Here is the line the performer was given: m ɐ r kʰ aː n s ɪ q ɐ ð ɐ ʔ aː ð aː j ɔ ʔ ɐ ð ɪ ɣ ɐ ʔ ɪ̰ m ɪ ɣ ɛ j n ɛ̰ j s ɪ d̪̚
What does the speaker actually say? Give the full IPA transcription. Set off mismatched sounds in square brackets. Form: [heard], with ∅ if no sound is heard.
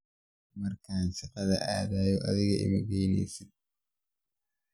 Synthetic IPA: m ɐ r kʰ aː n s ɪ q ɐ ð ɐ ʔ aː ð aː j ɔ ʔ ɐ ð ɪ ɣ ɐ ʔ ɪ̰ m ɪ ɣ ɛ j n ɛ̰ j s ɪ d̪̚